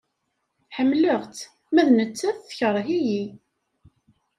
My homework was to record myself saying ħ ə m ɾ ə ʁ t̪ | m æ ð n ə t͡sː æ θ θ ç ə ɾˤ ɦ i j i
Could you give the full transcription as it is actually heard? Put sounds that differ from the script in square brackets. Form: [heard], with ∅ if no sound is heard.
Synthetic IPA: ħ ə m [l] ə ʁ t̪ | m æ ð n ə t͡sː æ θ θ ç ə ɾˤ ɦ i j i